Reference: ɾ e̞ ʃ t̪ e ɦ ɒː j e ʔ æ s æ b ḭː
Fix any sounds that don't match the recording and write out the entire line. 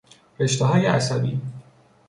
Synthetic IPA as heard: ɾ e̞ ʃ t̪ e ɦ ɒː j e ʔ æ s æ b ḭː